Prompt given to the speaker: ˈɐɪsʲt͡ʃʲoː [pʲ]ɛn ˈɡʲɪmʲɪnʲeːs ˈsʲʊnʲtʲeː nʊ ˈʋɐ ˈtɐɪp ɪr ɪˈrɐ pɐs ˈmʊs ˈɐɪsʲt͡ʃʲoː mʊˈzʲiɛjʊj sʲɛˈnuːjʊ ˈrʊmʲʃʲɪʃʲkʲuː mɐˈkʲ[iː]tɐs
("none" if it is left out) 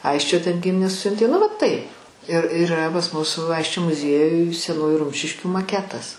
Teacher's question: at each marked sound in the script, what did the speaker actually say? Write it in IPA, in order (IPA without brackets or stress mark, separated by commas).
tʲ, æː